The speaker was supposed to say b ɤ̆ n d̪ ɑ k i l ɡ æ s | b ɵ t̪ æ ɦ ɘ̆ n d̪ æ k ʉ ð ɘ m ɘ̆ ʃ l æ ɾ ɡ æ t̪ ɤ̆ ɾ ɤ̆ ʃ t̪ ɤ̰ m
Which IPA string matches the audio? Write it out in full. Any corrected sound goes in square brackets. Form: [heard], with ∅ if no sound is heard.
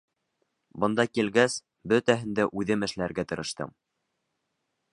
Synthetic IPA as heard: b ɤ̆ n d̪ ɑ k i l ɡ æ s | b ɵ t̪ æ ɦ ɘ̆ n d̪ æ [ʔ] ʉ ð ɘ m ɘ̆ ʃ l æ ɾ ɡ æ t̪ ɤ̆ ɾ ɤ̆ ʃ t̪ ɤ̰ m

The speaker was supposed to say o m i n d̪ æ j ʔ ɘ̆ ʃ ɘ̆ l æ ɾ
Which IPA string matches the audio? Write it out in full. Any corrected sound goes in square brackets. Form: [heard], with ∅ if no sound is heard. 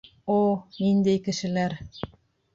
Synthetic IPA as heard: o [n] i n d̪ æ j [k] ɘ̆ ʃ ɘ̆ l æ ɾ

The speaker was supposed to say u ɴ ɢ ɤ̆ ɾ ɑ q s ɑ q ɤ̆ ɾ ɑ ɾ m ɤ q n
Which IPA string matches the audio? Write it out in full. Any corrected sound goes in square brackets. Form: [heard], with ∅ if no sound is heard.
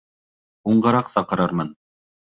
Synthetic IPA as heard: u ɴ ɢ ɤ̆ ɾ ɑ q s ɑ q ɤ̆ ɾ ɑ ɾ m ɤ [∅] n

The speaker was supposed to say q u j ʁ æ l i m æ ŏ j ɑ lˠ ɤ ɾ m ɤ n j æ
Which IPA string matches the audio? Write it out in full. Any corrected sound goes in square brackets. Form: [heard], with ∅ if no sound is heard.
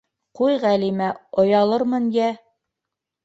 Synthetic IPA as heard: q u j ʁ æ l i m æ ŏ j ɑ lˠ ɤ ɾ m ɤ n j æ

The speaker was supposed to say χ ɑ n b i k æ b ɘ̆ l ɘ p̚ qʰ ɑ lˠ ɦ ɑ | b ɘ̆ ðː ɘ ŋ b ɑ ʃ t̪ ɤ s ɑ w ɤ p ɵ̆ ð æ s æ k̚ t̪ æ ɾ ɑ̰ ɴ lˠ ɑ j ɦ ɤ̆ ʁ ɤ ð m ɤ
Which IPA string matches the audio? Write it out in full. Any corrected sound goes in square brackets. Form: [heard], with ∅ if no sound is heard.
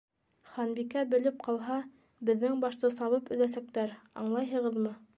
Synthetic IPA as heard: χ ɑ n b i k æ b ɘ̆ l ɘ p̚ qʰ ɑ lˠ ɦ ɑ | b ɘ̆ ðː ɘ ŋ b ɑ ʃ t̪ ɤ s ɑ [β] ɤ p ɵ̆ ð æ s æ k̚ t̪ æ ɾ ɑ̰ ɴ lˠ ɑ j ɦ ɤ̆ ʁ ɤ ð m ɤ

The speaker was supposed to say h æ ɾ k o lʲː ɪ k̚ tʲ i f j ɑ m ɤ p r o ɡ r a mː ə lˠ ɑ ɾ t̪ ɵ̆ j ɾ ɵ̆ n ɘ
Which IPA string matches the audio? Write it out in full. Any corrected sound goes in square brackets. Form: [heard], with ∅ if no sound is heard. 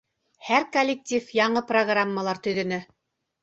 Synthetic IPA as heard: h æ ɾ k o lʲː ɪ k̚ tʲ i f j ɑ [ɴ] ɤ p r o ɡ r a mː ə lˠ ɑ ɾ t̪ ɵ̆ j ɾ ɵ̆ n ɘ

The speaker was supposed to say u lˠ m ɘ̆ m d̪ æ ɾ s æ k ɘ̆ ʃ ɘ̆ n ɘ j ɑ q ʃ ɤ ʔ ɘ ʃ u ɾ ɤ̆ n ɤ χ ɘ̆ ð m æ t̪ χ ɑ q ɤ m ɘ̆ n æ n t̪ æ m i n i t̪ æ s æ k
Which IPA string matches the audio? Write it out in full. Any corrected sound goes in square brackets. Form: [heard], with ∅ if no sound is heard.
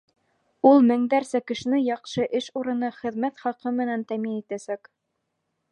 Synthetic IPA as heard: u lˠ m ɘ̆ [ŋ] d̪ æ ɾ s æ k ɘ̆ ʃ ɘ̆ n ɘ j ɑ q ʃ ɤ ʔ ɘ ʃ u ɾ ɤ̆ n ɤ χ ɘ̆ ð m æ t̪ χ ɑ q ɤ m ɘ̆ n æ n t̪ æ m i n i t̪ æ s æ k

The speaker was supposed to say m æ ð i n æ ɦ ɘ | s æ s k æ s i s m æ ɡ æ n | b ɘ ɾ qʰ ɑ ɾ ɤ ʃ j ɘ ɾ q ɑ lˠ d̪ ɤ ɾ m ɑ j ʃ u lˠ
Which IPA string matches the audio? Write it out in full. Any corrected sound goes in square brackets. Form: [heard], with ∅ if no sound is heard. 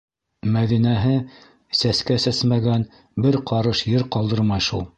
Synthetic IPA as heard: m æ ð i n æ ɦ ɘ | s æ s k æ s [æ] s m æ ɡ æ n | b ɘ ɾ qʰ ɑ ɾ ɤ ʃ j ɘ ɾ q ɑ lˠ d̪ ɤ ɾ m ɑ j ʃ u lˠ

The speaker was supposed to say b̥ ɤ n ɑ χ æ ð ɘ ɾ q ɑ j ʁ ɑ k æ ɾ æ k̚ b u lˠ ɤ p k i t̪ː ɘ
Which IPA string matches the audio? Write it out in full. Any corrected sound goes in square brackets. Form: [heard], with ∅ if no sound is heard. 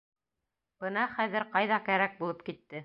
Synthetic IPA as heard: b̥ ɤ n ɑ χ æ ð ɘ ɾ q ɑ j [ð] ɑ k æ ɾ æ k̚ b u lˠ ɤ p k i t̪ː ɘ

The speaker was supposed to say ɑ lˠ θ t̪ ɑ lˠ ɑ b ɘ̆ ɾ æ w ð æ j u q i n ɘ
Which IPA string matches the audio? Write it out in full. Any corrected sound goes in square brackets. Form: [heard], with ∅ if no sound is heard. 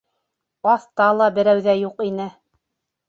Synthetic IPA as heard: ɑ [∅] θ t̪ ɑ lˠ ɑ b ɘ̆ ɾ æ w ð æ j u q i n ɘ

